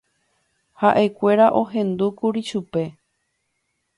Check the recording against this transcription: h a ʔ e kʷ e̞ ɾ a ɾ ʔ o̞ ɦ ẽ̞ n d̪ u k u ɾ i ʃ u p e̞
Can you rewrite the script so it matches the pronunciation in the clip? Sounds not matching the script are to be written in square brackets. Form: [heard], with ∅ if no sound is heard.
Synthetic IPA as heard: h a ʔ e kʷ e̞ ɾ a [∅] ʔ o̞ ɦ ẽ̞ n d̪ u k u ɾ i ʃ u p e̞